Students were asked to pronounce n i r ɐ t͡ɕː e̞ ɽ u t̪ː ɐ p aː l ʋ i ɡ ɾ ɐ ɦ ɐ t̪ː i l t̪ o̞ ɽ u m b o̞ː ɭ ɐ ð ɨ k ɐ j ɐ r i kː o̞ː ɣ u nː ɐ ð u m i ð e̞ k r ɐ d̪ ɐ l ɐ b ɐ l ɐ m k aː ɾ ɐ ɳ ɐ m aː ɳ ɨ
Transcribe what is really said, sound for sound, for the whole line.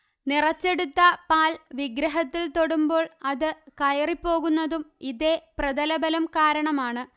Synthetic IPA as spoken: n i r ɐ t͡ɕː e̞ ɽ u t̪ː ɐ p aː l ʋ i ɡ ɾ ɐ ɦ ɐ t̪ː i l t̪ o̞ ɽ u m b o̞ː ɭ ɐ ð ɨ k ɐ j ɐ r i pː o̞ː ɣ u nː ɐ ð u m i ð e̞ p r ɐ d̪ ɐ l ɐ b ɐ l ɐ m k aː ɾ ɐ ɳ ɐ m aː ɳ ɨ

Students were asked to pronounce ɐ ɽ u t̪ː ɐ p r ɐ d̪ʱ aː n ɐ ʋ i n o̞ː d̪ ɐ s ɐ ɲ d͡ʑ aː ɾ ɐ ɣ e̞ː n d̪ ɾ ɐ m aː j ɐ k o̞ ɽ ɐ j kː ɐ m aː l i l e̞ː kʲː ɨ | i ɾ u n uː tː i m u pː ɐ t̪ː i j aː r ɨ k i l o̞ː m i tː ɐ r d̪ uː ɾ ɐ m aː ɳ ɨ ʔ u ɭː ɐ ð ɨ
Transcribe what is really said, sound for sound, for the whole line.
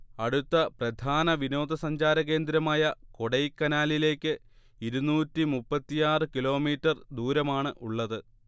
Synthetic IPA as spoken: ɐ ɽ u t̪ː ɐ p r ɐ d̪ʱ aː n ɐ ʋ i n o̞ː d̪ ɐ s ɐ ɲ d͡ʑ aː ɾ ɐ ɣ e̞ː n d̪ ɾ ɐ m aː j ɐ k o̞ ɽ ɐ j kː ɐ n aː l i l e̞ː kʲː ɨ | i ɾ u n uː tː i m u pː ɐ t̪ː i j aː r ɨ k i l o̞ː m iː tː ɐ r d̪ uː ɾ ɐ m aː ɳ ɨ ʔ u ɭː ɐ ð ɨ

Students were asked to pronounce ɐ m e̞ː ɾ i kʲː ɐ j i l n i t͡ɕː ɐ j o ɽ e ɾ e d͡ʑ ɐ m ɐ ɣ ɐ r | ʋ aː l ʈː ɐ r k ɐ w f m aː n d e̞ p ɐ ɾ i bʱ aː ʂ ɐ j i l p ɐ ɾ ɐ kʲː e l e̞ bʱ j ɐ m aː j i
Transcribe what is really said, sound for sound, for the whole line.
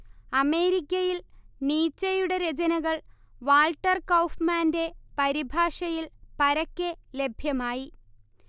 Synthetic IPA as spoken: ɐ m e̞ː ɾ i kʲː ɐ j i l n iː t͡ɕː ɐ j u ɽ e ɾ e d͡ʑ ɐ n ɐ ɣ ɐ ɭ | ʋ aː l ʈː ɐ r k ɐ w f m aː n d e̞ p ɐ ɾ i bʱ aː ʂ ɐ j i l p ɐ ɾ ɐ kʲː e l e̞ bʱ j ɐ m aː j i

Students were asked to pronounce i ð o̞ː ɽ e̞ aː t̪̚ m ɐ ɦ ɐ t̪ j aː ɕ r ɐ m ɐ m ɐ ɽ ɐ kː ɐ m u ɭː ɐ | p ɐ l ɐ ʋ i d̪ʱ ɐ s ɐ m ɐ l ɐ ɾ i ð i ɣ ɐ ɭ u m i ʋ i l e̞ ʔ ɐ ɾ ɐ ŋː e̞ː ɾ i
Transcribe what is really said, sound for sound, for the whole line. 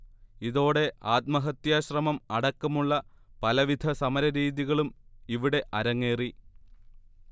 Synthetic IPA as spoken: i ð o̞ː ɽ e̞ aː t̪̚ m ɐ ɦ ɐ t̪ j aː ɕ r ɐ m ɐ m ɐ ɽ ɐ kː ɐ m u ɭː ɐ | p ɐ l ɐ ʋ i d̪ʱ ɐ s ɐ m ɐ ɾ ɐ ɾ iː ð i ɣ ɐ ɭ u m i ʋ i ɽ e̞ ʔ ɐ ɾ ɐ ŋː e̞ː r i

